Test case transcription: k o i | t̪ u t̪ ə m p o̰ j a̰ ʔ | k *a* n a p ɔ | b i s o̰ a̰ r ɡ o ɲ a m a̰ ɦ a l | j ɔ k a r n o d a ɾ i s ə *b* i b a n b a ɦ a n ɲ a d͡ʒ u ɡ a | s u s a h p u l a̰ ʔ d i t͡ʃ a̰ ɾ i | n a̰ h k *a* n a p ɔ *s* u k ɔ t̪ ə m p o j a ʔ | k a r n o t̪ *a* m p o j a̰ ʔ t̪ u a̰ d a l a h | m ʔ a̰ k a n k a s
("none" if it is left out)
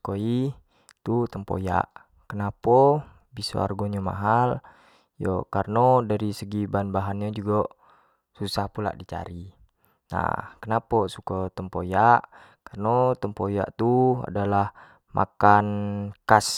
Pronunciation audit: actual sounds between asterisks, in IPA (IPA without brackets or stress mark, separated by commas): ə, ɡ, ə, s, ə